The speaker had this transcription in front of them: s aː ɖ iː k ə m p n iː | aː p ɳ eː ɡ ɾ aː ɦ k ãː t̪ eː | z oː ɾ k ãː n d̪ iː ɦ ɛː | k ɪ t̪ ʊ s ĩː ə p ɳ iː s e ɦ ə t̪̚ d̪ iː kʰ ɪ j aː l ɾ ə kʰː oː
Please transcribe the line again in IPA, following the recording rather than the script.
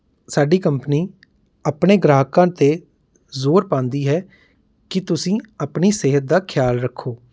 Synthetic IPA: s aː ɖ iː k ə m p n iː | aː p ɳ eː ɡ ɾ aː ɦ k ãː t̪ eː | z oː ɾ p ãː n d̪ iː ɦ ɛː | k ɪ t̪ ʊ s ĩː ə p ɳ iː s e ɦ ə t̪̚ d̪ aː kʰ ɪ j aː l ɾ ə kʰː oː